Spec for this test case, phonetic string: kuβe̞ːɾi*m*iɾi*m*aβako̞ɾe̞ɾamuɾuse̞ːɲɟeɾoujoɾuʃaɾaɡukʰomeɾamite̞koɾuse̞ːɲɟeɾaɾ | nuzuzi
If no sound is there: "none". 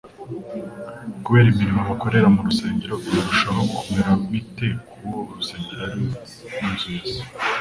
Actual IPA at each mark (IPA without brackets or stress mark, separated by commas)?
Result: m, m